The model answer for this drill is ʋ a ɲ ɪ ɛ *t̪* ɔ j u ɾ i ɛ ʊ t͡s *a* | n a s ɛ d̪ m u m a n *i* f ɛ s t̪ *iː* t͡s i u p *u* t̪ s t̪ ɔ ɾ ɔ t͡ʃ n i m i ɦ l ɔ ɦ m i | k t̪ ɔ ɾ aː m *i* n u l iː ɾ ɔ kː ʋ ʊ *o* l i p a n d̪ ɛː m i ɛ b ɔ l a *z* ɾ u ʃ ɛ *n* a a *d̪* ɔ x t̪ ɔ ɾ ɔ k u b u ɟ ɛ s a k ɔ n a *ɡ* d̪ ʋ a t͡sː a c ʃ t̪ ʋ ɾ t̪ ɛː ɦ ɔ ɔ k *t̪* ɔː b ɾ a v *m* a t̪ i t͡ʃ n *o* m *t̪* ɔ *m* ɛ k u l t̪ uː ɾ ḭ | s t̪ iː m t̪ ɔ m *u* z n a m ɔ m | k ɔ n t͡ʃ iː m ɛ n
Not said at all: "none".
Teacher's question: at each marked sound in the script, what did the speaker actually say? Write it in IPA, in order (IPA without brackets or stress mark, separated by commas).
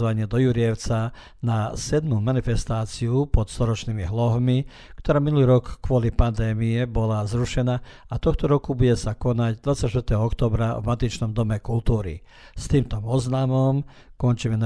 d̪, a, i, aː, ɔ, i, ɔ, z, n, t̪, ɟ, t̪, m, ɔ, d̪, m, ɔ